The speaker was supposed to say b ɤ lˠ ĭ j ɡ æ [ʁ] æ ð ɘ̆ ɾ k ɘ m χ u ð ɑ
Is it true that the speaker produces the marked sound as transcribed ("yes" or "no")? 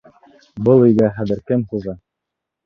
no